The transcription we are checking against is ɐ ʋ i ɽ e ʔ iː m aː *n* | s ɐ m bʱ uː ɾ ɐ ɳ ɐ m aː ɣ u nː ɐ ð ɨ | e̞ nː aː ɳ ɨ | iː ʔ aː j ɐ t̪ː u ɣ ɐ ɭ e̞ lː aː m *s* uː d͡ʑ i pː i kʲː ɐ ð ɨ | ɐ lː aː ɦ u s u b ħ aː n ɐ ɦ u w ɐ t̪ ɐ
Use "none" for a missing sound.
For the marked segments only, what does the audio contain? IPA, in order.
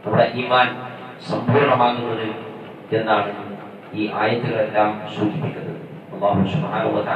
n, s

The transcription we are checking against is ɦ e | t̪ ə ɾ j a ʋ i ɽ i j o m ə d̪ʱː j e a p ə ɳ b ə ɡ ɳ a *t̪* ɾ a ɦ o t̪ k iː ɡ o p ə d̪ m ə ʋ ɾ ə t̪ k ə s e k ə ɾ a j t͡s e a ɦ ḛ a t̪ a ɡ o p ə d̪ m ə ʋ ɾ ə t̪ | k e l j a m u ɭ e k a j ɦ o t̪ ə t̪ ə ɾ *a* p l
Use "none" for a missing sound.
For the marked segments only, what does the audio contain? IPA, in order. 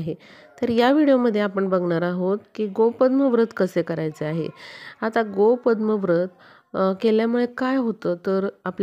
none, a

